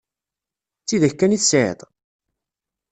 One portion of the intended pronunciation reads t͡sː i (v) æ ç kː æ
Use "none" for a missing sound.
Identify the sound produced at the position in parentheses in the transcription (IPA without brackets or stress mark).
ð